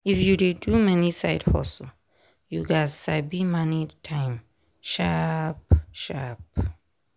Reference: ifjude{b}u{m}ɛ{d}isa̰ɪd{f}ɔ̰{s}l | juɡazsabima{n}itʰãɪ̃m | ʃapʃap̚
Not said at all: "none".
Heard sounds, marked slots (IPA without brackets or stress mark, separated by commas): d, m, n, h, s, n